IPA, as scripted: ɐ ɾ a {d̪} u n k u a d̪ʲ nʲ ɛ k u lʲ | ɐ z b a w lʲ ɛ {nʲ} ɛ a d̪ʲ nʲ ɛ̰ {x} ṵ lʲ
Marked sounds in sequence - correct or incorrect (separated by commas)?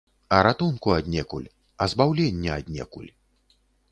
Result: incorrect, incorrect, incorrect